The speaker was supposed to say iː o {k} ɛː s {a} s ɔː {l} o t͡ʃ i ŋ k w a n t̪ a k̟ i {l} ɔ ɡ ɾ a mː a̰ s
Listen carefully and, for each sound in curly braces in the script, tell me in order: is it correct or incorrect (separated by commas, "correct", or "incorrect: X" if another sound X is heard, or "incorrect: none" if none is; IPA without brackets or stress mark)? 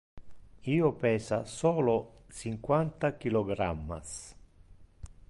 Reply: incorrect: p, correct, correct, correct